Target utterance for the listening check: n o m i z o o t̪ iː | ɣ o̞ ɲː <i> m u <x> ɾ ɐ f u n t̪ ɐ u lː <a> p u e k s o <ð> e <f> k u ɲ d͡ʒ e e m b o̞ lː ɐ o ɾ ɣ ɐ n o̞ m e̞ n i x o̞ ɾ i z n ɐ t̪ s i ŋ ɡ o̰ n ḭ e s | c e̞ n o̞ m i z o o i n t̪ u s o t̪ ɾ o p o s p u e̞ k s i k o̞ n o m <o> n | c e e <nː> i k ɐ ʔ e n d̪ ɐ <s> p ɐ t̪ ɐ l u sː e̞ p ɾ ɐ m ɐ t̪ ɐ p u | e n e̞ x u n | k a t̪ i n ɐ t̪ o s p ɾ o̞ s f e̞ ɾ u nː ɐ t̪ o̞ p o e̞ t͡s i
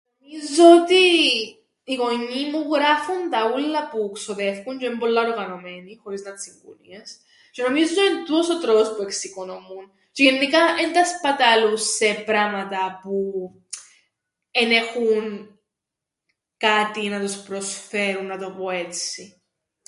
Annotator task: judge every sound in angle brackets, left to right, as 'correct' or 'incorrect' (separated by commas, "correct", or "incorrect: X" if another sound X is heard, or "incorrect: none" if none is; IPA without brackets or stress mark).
correct, incorrect: ɣ, incorrect: ɐ, correct, correct, incorrect: u, correct, correct